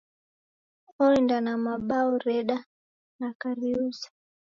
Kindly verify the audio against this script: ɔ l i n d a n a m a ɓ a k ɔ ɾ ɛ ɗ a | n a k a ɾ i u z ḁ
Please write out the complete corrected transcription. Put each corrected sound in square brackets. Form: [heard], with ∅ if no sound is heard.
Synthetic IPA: ɔ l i n d a n a m a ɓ a [∅] ɔ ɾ ɛ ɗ a | n a k a ɾ i u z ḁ